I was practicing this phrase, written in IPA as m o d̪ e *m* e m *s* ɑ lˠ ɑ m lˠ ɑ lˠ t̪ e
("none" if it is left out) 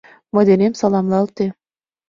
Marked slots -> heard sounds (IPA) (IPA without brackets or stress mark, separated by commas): n, s